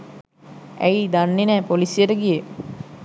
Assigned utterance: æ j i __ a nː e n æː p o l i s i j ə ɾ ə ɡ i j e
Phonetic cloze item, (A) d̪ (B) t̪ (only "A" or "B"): A